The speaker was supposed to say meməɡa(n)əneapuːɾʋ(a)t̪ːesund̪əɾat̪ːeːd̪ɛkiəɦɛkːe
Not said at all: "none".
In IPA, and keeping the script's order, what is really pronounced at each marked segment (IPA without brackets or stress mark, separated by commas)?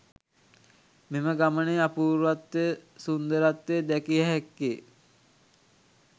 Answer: m, a